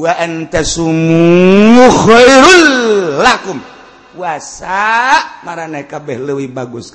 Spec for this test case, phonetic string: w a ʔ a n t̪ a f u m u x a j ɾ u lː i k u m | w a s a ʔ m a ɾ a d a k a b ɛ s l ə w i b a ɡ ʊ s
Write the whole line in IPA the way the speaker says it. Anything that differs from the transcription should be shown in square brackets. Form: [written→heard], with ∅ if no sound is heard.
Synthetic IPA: w a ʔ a n t̪ a [f→s] u m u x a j ɾ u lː [i→a] k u m | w a s a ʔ m a ɾ a [d→n] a k a b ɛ [s→h] l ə w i b a ɡ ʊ s